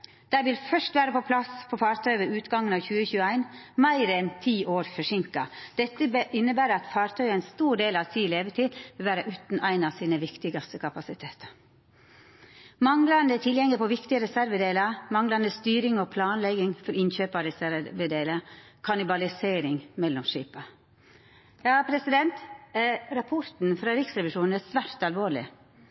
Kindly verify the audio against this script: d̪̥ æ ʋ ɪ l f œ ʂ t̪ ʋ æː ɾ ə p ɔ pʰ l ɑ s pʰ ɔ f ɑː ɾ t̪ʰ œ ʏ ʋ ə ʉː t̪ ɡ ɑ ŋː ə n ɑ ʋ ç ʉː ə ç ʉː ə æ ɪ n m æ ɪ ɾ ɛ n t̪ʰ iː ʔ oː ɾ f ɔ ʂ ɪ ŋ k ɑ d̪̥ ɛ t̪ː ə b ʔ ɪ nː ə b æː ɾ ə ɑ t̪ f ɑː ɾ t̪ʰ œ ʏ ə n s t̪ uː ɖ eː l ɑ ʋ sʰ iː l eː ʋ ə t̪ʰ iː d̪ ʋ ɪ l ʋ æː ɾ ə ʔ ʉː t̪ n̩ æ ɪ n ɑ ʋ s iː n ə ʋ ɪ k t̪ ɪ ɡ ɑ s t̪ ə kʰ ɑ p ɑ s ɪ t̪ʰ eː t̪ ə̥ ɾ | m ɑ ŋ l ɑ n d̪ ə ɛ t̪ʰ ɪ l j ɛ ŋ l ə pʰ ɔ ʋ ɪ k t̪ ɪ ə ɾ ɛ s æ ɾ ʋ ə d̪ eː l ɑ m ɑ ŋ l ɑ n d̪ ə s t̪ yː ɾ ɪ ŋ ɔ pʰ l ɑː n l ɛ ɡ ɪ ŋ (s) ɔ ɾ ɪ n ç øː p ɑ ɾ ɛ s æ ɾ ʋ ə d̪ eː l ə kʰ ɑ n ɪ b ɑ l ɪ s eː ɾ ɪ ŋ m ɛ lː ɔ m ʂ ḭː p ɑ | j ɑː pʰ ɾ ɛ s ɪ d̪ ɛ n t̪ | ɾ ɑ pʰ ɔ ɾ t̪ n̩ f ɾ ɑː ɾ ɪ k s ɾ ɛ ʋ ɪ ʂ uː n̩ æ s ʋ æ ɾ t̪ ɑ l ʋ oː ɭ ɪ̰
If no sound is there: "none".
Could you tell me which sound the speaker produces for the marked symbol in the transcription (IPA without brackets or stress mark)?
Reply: f